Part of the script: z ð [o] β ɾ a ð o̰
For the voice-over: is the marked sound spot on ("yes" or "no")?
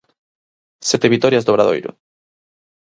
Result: yes